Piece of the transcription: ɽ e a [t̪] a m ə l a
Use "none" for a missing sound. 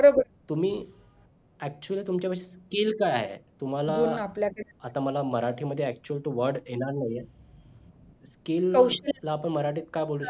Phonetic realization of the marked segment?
t̪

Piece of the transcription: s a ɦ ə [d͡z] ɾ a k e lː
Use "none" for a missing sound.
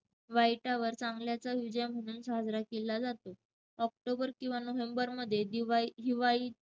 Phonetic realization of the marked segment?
d͡z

